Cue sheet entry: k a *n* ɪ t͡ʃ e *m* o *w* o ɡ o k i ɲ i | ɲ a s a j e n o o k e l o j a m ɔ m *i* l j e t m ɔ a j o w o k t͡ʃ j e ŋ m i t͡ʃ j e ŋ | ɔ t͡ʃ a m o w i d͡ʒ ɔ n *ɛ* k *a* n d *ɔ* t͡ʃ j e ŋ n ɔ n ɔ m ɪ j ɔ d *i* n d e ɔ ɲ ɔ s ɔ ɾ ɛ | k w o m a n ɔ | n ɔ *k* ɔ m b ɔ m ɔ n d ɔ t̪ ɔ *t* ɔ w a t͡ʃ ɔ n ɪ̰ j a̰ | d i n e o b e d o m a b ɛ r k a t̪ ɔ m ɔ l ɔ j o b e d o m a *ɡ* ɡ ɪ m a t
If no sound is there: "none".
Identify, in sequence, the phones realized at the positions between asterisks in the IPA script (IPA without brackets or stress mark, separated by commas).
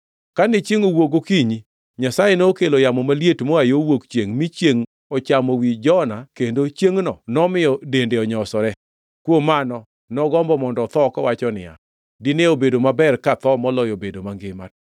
n, ŋ, w, a, a, e, o, e, ɡ, k, ŋ